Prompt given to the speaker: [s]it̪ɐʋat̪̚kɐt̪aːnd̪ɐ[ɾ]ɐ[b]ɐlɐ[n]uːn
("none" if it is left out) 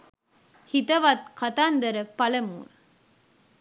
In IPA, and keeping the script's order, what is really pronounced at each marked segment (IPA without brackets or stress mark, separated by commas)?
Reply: h, ɾ, p, m